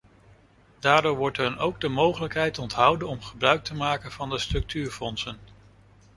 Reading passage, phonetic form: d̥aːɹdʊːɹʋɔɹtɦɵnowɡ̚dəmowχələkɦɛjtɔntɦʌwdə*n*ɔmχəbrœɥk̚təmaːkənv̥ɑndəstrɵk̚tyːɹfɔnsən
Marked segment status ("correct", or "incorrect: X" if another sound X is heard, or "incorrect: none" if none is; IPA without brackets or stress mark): correct